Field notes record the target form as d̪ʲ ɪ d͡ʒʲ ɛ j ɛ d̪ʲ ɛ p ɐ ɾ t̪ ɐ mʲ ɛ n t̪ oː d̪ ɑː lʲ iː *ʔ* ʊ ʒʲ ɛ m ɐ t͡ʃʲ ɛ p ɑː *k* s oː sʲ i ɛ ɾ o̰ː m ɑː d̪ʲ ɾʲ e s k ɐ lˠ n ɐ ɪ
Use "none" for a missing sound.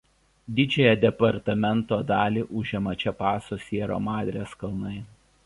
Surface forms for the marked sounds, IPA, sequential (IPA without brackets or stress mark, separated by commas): ʔ, none